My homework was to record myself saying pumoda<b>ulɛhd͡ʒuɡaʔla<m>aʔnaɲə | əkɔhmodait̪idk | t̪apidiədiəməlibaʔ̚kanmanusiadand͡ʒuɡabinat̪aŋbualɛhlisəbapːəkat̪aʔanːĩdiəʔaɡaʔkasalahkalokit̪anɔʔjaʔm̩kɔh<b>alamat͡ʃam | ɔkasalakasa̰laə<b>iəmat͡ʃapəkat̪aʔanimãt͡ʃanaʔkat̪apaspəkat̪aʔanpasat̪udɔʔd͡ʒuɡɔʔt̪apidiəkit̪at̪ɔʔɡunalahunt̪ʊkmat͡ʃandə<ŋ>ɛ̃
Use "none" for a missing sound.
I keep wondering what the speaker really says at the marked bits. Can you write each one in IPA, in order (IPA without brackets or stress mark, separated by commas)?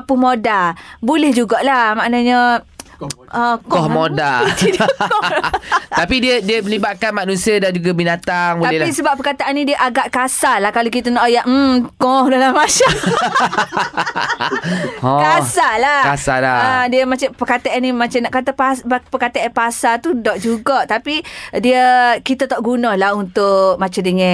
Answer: b, m, d, d, ŋ